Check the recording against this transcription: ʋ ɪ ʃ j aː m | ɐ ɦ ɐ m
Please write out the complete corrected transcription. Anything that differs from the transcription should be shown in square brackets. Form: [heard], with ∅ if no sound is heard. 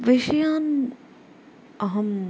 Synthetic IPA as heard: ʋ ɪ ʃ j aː [n] | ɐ ɦ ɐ m